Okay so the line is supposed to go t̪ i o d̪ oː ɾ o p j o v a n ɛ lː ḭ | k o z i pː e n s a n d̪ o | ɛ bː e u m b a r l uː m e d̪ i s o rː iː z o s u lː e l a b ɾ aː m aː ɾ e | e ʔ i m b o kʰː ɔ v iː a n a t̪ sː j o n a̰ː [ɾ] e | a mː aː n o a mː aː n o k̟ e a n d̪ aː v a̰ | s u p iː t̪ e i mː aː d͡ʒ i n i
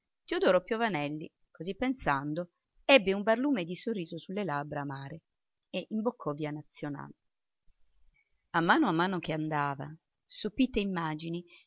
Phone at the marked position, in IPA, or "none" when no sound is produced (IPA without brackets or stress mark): l